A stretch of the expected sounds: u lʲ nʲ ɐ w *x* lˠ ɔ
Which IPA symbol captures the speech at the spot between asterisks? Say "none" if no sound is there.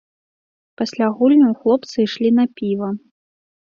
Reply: x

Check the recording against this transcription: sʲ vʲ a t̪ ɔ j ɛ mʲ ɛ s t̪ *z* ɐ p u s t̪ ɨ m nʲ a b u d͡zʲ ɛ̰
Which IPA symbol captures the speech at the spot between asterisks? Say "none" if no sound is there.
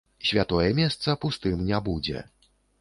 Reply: s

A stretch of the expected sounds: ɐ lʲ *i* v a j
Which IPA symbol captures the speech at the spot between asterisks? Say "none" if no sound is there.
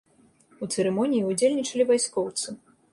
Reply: i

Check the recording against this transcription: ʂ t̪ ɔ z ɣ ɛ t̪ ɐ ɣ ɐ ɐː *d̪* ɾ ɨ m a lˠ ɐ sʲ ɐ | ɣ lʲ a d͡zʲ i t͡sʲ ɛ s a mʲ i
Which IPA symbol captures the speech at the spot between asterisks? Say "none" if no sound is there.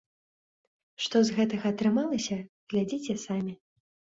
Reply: t̪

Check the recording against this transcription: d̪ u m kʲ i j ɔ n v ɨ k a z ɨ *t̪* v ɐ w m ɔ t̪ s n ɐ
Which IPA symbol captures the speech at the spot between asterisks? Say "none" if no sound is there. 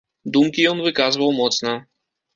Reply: none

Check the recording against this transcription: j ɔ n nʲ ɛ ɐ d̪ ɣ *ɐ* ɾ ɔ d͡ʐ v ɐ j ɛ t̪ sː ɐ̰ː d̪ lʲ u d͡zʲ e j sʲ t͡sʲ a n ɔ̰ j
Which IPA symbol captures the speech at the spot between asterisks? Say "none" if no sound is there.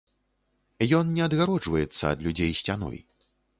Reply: a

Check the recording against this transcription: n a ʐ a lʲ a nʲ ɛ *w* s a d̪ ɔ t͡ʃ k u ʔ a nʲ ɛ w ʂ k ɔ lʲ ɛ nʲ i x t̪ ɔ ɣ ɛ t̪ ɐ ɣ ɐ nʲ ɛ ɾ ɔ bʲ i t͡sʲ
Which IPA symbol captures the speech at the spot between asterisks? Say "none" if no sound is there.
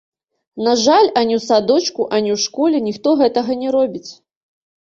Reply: w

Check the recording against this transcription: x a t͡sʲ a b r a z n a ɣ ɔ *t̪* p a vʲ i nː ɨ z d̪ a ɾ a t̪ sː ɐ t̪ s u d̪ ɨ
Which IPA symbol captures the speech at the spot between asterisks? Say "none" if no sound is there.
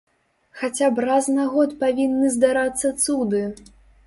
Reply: t̪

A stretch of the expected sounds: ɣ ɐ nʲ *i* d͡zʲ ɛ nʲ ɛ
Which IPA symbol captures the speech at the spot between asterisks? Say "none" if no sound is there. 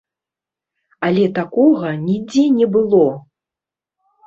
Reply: i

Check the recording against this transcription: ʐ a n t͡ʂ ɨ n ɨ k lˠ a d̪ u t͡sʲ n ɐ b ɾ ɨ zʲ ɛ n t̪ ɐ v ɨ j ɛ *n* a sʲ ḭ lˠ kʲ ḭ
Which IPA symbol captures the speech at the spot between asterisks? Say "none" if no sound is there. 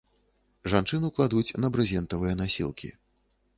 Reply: n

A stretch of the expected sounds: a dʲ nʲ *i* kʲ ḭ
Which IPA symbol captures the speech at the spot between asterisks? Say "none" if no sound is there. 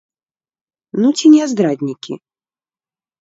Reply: i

